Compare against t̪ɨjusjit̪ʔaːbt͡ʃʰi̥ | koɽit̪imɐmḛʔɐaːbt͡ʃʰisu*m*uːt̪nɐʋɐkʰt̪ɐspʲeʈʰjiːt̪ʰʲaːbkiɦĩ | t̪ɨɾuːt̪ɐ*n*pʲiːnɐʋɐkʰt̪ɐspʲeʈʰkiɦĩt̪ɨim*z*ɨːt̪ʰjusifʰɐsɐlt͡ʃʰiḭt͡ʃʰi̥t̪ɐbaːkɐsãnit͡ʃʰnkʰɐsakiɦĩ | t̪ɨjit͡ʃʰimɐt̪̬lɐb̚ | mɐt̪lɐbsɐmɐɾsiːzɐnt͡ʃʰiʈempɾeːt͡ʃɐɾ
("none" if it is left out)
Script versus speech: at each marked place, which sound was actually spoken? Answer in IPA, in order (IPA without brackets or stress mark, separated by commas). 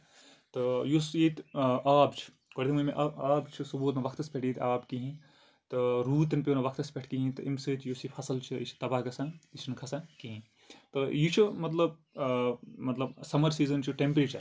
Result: b, n, s